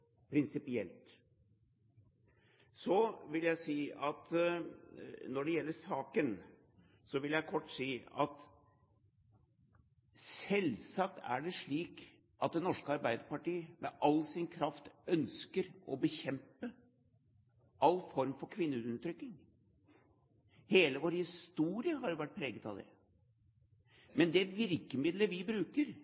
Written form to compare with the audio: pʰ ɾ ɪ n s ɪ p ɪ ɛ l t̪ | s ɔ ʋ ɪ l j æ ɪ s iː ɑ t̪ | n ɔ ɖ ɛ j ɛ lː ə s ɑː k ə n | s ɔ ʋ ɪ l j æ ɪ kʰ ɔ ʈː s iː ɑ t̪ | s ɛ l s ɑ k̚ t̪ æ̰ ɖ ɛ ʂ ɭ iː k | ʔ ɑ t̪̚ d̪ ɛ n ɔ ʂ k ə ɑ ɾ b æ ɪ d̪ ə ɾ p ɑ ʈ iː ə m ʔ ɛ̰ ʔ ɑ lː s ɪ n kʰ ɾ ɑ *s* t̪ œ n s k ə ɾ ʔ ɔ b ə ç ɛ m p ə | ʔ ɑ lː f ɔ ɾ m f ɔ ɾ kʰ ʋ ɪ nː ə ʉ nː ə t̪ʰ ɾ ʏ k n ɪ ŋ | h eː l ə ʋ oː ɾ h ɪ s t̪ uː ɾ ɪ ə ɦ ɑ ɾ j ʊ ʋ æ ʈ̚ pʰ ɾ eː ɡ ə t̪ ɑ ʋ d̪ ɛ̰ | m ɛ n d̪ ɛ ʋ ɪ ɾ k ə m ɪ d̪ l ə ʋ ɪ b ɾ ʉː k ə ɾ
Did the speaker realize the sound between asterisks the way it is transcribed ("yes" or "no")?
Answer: no